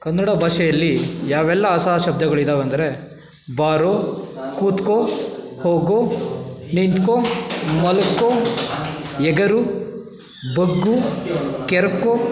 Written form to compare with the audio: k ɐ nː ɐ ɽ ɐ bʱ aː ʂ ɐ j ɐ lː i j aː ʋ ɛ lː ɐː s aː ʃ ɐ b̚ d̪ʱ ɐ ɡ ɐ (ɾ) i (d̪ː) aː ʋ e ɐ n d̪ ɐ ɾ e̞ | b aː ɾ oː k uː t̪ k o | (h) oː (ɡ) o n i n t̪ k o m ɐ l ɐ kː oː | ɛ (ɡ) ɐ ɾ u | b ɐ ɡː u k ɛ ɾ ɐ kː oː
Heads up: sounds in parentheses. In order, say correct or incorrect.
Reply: incorrect, incorrect, correct, correct, correct

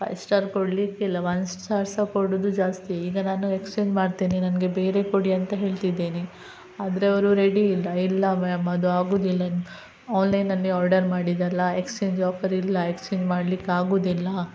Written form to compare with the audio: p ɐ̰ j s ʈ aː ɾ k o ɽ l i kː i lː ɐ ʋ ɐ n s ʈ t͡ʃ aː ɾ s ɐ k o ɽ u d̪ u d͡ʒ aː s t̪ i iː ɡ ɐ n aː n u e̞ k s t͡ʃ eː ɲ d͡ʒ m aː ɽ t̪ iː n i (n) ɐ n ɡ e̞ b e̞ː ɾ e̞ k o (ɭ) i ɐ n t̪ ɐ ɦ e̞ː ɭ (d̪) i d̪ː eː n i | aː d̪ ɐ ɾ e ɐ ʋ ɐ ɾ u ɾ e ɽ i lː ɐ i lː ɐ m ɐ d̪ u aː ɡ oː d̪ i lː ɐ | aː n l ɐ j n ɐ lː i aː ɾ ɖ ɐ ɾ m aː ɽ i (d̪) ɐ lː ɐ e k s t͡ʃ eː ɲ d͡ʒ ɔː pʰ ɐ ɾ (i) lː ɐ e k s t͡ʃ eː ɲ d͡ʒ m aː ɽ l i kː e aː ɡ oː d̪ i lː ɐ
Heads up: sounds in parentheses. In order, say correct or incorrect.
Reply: correct, incorrect, incorrect, correct, correct

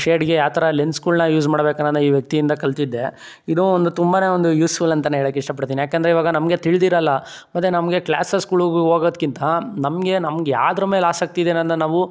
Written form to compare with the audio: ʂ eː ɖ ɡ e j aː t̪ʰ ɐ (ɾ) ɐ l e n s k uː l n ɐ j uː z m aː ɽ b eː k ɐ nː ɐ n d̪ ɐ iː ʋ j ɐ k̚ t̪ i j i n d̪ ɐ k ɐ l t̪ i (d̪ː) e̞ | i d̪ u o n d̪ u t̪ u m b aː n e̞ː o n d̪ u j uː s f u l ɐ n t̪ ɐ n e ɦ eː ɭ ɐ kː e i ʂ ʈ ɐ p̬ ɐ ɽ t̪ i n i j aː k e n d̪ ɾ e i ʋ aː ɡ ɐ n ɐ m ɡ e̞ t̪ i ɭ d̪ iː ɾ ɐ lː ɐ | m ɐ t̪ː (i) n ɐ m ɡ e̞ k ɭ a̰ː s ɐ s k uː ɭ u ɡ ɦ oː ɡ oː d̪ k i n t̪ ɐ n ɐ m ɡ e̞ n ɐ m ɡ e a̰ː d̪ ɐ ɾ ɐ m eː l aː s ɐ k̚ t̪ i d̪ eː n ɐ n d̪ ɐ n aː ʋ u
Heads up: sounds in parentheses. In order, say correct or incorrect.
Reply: correct, correct, incorrect

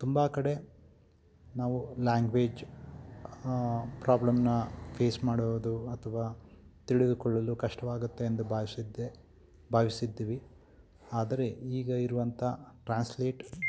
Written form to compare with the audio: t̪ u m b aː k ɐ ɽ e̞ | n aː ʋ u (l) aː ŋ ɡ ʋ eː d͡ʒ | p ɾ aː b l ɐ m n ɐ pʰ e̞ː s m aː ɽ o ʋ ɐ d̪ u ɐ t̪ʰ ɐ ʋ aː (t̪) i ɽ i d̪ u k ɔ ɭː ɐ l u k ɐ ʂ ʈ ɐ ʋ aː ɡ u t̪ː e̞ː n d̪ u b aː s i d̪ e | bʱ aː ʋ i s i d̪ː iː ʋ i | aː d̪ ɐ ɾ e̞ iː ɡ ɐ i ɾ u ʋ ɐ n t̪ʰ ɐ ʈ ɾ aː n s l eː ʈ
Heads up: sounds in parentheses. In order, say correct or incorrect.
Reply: correct, correct

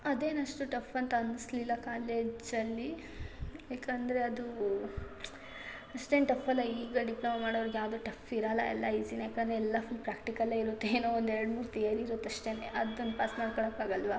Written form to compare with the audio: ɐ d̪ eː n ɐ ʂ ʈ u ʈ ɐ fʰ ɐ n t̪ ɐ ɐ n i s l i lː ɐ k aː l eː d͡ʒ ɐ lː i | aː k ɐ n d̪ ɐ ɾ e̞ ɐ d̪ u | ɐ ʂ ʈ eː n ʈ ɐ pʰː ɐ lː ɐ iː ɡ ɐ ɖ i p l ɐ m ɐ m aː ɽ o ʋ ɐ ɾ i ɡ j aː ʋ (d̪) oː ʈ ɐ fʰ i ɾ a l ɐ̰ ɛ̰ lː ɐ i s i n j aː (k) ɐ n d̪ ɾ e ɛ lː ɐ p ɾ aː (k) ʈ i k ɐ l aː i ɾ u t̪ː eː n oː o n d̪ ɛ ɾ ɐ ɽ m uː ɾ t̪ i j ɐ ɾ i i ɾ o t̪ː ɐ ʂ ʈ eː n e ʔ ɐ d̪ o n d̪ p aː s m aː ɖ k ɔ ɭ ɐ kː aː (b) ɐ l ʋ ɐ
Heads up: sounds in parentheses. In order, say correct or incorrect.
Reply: correct, correct, correct, incorrect

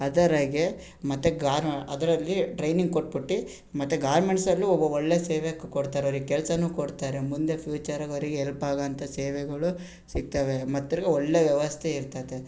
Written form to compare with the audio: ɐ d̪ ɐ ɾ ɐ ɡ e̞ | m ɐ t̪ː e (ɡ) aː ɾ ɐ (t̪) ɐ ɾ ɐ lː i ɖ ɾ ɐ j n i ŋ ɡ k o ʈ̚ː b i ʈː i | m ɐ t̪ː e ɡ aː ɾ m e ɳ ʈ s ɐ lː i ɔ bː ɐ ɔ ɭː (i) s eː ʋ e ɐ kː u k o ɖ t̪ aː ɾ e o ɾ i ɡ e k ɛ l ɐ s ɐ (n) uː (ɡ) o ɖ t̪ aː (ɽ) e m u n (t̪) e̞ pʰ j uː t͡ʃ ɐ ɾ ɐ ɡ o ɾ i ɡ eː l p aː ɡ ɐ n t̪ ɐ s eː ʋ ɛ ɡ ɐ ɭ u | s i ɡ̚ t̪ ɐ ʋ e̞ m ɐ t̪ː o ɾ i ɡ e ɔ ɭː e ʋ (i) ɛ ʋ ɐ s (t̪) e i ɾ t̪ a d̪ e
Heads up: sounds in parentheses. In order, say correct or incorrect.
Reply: correct, incorrect, incorrect, correct, incorrect, incorrect, incorrect, incorrect, incorrect

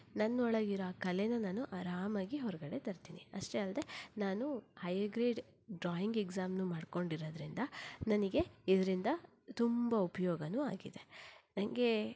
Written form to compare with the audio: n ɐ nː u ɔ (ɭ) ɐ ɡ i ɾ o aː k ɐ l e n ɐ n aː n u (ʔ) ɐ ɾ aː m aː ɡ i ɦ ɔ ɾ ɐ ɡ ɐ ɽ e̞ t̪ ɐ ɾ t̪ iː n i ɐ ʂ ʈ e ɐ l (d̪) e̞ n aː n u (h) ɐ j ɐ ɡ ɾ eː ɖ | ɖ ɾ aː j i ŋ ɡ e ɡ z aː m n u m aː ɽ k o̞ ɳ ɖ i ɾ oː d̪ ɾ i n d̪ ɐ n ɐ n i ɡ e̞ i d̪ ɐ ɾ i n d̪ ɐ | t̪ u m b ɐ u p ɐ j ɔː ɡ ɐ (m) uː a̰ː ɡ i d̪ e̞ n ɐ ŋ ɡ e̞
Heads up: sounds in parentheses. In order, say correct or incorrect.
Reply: correct, correct, correct, correct, incorrect

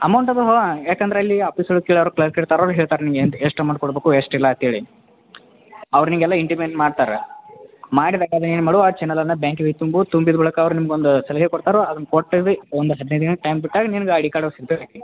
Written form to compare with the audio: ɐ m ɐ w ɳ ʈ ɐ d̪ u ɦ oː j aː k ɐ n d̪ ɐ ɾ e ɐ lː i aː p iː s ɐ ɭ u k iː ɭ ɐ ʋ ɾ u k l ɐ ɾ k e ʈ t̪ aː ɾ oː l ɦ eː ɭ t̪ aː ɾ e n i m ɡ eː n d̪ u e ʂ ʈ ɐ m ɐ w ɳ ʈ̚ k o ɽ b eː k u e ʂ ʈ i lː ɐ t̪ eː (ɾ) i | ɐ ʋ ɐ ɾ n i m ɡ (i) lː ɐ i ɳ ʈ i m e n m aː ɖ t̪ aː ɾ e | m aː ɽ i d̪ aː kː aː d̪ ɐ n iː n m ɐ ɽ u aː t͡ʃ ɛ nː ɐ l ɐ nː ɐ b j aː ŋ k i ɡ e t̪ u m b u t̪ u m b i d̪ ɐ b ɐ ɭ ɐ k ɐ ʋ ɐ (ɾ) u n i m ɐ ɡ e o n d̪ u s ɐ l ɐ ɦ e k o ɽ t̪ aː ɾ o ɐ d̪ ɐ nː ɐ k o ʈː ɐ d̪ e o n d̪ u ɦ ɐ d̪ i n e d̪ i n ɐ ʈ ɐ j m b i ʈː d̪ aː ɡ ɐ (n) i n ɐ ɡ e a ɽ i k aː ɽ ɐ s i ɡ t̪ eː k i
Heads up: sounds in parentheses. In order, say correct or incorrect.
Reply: incorrect, incorrect, correct, correct

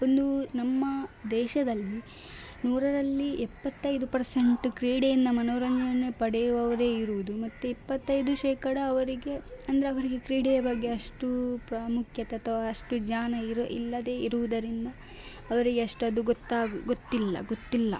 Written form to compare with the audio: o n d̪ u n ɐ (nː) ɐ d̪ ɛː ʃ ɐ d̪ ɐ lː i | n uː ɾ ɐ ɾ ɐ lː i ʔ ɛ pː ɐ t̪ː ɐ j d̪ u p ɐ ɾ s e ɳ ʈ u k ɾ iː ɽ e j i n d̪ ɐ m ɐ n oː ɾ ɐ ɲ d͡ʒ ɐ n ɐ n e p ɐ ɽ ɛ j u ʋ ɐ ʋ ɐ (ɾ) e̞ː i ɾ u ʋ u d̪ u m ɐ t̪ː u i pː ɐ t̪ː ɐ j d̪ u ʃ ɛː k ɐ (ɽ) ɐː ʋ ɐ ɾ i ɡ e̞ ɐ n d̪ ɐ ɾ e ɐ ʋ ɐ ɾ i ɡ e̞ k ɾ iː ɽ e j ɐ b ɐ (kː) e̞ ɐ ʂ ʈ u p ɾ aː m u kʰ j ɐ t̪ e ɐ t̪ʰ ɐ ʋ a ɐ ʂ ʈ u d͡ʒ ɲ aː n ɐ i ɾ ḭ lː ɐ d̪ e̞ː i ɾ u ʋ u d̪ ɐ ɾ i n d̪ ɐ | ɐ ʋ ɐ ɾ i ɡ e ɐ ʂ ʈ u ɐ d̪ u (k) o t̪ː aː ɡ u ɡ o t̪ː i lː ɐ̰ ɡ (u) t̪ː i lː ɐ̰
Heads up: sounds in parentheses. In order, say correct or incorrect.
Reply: incorrect, correct, correct, incorrect, incorrect, incorrect

